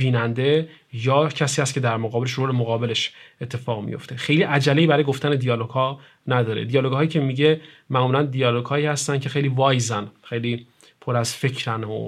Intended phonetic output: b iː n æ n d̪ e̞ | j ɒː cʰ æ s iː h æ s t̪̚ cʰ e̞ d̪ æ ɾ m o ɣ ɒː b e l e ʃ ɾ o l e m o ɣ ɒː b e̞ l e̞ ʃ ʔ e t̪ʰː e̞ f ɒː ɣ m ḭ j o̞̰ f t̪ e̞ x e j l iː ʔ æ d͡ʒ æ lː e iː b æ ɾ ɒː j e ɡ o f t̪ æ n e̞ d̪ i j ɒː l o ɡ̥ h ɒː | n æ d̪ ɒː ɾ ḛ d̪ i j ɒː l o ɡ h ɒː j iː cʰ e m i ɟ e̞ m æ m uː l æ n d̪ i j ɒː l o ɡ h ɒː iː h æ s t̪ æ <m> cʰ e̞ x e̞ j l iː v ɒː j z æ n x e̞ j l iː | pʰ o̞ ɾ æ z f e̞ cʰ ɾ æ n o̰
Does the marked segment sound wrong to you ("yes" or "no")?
yes